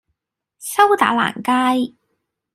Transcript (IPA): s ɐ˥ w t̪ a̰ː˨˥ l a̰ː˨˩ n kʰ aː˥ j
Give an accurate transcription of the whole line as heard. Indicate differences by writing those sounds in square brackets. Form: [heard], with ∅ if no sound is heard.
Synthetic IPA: s ɐ˥ w t̪ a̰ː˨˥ l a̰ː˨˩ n [k] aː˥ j

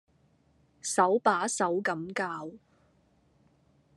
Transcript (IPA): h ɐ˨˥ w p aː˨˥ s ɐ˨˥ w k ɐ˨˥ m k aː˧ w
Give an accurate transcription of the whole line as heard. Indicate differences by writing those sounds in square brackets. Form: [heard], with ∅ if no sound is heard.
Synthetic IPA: [s] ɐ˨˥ w p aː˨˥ s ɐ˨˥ w k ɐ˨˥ m k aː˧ w

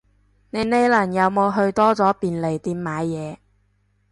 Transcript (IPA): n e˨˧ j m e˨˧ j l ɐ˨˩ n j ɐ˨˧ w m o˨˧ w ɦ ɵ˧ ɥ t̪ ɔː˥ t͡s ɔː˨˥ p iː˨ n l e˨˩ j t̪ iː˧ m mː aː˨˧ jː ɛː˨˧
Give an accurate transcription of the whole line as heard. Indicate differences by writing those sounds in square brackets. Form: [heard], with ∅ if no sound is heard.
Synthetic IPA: n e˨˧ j [n] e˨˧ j l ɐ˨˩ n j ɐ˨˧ w m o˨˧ w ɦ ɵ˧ ɥ t̪ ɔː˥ t͡s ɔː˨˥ p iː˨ n l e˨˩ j t̪ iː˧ m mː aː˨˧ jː ɛː˨˧

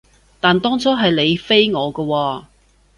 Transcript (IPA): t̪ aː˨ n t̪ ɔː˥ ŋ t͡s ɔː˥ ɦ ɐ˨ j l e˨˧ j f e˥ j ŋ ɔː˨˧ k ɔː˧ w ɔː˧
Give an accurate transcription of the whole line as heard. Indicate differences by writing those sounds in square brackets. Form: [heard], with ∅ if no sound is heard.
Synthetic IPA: t̪ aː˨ n t̪ ɔː˥ ŋ t͡s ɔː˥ ɦ ɐ˨ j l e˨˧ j f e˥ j ŋ ɔː˨˧ k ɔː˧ w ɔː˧

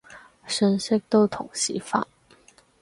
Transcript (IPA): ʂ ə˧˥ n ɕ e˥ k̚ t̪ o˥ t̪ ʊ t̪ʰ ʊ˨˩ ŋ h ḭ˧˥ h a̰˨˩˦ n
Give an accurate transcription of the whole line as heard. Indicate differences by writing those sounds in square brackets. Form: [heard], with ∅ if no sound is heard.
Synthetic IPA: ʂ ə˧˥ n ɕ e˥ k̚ t̪ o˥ [∅] ʊ t̪ʰ ʊ˨˩ ŋ [ɕ] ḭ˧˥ [f] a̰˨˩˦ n

